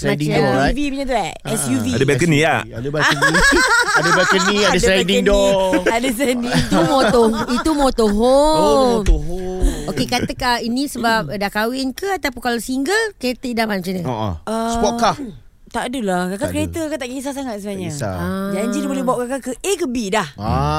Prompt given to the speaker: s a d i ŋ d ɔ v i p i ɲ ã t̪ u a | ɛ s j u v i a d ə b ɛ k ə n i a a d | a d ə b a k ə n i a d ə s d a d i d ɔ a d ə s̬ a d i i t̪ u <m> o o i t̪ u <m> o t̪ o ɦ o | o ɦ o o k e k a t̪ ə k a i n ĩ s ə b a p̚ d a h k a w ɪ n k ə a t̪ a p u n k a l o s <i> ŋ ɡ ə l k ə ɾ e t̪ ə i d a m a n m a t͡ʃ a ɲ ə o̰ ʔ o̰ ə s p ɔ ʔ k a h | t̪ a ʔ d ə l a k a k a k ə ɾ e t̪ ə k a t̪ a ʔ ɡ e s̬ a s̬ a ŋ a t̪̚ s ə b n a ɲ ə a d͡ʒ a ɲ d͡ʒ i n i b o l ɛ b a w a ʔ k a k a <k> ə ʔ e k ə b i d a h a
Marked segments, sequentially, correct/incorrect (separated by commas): correct, correct, correct, correct